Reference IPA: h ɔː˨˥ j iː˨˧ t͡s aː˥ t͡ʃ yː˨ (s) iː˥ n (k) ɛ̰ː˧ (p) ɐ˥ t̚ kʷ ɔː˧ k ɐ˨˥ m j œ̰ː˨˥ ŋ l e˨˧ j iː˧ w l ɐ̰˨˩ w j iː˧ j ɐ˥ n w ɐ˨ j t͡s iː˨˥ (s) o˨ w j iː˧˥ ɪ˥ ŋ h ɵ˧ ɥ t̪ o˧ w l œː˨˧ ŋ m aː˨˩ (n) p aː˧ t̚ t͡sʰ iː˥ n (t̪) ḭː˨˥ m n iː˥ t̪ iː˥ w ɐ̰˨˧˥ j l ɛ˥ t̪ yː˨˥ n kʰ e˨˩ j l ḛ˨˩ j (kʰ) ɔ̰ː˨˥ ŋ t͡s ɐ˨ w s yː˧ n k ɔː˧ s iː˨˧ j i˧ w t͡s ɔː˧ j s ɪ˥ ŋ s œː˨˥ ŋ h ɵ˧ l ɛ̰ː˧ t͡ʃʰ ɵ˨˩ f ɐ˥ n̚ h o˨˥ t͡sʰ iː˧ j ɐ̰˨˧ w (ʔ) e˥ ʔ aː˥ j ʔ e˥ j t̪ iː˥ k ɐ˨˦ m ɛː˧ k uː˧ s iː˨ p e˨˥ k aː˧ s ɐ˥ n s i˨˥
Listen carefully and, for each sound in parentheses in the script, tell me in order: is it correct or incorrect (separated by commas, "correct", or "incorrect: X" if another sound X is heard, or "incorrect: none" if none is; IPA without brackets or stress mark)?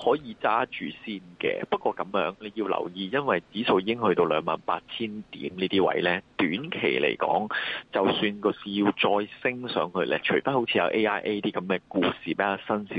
correct, correct, correct, correct, correct, correct, incorrect: k, correct